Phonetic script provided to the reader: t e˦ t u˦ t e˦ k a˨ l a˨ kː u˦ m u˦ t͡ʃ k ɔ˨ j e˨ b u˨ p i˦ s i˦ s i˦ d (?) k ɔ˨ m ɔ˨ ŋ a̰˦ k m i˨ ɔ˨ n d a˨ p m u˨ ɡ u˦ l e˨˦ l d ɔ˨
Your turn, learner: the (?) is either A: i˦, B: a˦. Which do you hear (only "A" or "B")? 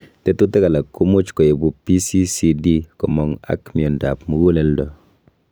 A